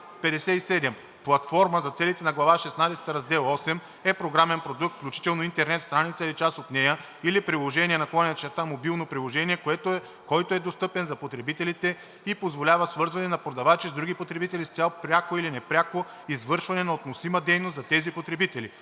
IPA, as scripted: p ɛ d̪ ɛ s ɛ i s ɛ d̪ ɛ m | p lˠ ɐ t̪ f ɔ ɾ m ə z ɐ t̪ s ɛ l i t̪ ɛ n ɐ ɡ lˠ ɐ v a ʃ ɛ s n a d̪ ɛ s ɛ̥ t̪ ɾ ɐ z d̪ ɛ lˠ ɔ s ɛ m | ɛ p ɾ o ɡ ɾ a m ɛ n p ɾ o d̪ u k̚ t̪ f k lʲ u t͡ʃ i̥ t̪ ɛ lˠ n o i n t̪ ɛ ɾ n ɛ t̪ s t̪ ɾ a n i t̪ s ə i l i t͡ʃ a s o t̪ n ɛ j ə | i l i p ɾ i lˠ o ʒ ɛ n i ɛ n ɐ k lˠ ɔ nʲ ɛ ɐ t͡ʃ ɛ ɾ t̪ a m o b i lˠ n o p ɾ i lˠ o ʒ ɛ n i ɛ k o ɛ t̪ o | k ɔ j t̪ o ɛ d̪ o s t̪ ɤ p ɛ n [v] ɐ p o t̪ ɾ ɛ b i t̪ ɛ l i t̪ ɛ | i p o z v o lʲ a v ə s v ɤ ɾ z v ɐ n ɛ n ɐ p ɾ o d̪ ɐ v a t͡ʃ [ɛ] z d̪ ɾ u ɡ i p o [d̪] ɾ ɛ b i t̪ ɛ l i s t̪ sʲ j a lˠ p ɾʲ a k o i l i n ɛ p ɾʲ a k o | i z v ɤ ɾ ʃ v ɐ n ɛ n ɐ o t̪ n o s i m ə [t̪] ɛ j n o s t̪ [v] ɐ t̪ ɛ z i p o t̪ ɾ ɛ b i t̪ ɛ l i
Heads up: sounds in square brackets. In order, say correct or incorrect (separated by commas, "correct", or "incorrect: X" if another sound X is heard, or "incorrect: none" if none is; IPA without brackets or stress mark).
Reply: incorrect: z, incorrect: i, incorrect: t̪, incorrect: d̪, incorrect: z